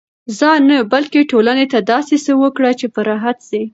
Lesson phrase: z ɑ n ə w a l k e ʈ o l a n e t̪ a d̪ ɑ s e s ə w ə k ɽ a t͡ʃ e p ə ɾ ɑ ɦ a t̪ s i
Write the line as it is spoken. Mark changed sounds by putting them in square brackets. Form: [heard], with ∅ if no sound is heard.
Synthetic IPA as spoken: z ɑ n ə [b] a l k e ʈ o l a n e t̪ a d̪ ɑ s e s ə w ə k ɽ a t͡ʃ e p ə ɾ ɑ ɦ a t̪ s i